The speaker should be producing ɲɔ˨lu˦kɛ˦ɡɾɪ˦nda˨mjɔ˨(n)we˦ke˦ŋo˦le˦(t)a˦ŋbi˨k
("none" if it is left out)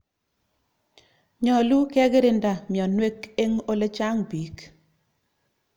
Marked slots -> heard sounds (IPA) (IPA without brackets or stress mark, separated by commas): n, t͡ʃ